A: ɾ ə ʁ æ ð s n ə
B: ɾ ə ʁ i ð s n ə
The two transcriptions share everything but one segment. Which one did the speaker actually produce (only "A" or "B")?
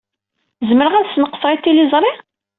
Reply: A